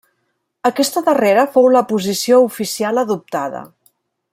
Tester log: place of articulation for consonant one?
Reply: velar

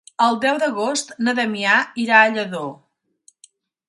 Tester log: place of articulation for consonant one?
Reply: alveolar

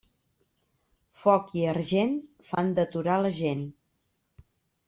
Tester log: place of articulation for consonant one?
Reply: labial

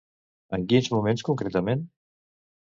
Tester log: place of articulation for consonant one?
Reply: velar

